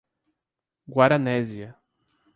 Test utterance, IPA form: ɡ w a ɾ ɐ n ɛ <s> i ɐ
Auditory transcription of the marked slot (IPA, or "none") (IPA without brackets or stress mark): z